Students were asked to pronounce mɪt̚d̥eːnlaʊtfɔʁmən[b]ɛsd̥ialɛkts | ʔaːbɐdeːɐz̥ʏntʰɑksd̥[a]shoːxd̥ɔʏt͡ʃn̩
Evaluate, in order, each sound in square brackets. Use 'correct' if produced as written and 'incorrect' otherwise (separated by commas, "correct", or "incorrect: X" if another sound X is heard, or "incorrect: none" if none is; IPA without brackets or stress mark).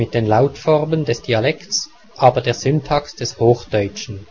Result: incorrect: d, incorrect: ɛ